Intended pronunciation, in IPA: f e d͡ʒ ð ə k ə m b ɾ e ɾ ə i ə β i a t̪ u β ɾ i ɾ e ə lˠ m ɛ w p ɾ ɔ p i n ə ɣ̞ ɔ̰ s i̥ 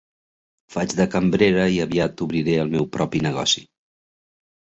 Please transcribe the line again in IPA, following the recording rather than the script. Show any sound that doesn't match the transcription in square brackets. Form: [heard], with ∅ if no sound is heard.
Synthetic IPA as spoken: f [a] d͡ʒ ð ə k ə m b ɾ e ɾ ə i ə β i a t̪ u β ɾ i ɾ e ə lˠ m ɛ w p ɾ ɔ p i n ə ɣ̞ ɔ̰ s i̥